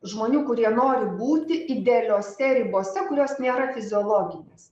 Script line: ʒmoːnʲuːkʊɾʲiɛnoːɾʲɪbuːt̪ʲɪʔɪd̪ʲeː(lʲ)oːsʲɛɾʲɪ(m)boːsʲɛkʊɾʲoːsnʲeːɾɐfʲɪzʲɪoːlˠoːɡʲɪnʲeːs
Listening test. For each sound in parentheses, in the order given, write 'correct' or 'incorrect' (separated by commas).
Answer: correct, incorrect